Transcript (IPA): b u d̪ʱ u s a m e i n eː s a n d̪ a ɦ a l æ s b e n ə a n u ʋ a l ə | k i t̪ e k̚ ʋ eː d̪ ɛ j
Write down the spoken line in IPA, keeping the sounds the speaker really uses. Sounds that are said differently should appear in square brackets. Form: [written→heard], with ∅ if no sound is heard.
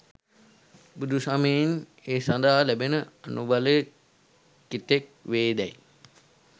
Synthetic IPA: b u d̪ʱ u s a m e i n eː s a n d̪ a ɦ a l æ [s→∅] b e n ə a n u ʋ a l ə | k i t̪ e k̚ ʋ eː d̪ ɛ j